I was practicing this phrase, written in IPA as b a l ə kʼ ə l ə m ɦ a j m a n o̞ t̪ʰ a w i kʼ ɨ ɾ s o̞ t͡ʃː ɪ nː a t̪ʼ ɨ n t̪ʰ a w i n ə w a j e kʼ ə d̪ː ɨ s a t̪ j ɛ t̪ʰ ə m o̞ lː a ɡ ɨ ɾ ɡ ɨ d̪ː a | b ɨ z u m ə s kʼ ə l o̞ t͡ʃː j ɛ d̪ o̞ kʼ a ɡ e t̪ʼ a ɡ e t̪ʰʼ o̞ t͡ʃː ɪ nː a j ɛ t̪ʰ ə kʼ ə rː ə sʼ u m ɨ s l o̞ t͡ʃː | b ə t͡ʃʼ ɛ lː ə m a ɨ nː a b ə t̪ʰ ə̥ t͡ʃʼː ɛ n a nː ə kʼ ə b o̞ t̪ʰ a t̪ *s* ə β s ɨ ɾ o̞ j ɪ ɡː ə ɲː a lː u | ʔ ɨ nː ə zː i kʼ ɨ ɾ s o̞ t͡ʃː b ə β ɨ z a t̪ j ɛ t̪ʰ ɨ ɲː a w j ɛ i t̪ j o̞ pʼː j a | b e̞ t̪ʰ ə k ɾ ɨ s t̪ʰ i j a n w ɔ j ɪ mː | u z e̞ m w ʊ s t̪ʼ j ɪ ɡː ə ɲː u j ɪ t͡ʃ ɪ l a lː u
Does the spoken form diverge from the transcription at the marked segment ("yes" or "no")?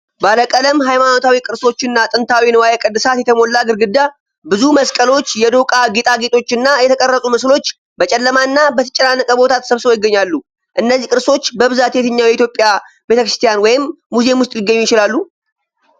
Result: no